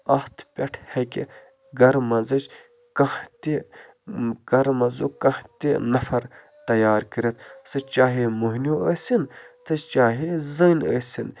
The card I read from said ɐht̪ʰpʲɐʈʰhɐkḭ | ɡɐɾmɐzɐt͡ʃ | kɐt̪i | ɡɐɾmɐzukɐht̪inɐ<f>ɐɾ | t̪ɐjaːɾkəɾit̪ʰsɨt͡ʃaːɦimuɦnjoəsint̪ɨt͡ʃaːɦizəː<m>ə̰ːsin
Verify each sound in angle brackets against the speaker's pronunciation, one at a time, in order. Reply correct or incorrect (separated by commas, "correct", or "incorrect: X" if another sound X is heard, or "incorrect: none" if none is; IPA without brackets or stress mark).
correct, incorrect: n